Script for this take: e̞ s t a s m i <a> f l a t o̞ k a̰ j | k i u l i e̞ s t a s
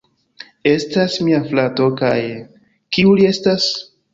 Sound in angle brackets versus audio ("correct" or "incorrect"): correct